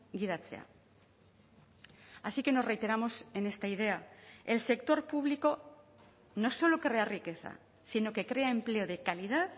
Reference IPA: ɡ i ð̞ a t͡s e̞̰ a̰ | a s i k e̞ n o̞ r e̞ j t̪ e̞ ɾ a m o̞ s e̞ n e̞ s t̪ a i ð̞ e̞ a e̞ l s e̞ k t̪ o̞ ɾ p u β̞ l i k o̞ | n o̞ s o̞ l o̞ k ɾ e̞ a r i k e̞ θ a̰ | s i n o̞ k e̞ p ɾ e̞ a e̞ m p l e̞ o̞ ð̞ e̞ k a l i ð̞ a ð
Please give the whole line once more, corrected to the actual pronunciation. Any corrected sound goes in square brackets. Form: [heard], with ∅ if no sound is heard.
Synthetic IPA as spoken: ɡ i ð̞ a t͡s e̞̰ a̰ | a s i k e̞ n o̞ r e̞ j t̪ e̞ ɾ a m o̞ s e̞ n e̞ s t̪ a i ð̞ e̞ a e̞ l s e̞ k t̪ o̞ ɾ p u β̞ l i k o̞ | n o̞ s o̞ l o̞ k ɾ e̞ a r i k e̞ θ a̰ | s i n o̞ k e̞ [k] ɾ e̞ a e̞ m p l e̞ o̞ ð̞ e̞ k a l i ð̞ a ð